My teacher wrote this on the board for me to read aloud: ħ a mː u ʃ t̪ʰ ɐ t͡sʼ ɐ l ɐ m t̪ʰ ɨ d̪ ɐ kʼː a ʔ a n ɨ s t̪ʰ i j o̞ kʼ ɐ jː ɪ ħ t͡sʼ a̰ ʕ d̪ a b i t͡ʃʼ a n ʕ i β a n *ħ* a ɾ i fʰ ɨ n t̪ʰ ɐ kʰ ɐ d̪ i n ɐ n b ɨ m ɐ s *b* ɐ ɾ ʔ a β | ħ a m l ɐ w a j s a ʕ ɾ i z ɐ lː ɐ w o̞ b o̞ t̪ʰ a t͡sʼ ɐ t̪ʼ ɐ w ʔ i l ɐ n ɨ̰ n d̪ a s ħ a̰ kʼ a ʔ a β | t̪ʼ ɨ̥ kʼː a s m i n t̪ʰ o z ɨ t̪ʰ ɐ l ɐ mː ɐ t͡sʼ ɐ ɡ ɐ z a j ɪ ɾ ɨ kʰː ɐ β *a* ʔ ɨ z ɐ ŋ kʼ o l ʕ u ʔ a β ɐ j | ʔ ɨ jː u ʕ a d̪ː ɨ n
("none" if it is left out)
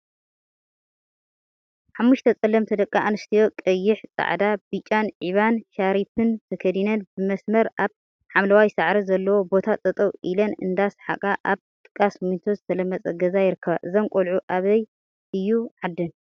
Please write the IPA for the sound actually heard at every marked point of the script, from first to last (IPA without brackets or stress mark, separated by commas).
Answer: ʃ, m, a